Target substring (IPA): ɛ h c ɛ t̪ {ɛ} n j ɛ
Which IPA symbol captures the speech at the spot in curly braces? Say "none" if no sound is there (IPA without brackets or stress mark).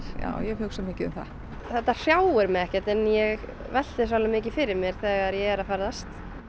ɛ